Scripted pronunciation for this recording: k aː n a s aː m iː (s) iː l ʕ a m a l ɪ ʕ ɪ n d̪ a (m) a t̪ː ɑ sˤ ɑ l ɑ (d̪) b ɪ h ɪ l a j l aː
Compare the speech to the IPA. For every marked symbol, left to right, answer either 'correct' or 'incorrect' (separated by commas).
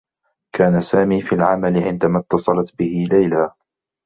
incorrect, correct, incorrect